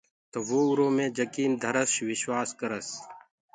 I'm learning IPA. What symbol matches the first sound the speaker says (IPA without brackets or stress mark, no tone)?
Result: t̪